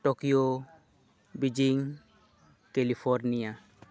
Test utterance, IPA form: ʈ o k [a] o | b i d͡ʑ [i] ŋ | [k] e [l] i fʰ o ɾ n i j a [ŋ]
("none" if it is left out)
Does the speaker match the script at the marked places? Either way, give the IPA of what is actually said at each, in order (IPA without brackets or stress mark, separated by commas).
i, i, k, l, none